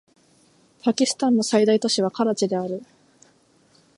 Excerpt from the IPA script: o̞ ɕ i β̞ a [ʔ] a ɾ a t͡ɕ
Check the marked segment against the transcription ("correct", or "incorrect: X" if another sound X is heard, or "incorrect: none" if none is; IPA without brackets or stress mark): incorrect: k